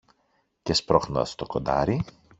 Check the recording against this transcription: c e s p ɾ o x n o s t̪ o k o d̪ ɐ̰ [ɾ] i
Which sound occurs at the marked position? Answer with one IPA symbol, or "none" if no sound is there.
ɾ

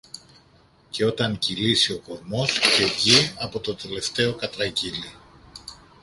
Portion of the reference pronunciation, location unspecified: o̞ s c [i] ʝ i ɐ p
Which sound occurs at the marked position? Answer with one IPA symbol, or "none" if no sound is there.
e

